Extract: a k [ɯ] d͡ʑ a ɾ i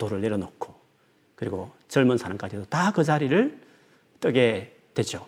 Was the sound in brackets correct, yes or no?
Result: yes